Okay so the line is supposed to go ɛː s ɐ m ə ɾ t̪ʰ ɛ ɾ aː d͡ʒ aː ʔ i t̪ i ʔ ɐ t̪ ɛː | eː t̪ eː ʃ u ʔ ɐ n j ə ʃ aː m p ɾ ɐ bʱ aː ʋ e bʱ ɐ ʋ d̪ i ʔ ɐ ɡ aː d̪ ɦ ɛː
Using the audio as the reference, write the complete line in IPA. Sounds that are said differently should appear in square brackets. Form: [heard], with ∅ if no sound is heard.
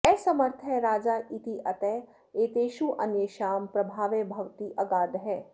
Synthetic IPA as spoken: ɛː s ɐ m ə ɾ t̪ʰ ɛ ɾ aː d͡ʒ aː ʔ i t̪ i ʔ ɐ t̪ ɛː | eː t̪ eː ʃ u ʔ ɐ n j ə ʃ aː m p ɾ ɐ bʱ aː ʋ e bʱ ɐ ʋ [t̪] i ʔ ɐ ɡ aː d̪ ɦ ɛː